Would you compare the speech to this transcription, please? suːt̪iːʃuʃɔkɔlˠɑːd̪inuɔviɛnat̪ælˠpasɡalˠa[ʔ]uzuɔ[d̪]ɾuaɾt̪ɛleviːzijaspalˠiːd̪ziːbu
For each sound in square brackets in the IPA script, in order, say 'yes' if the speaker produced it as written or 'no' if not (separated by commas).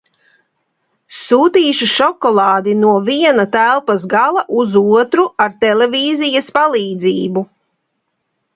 yes, no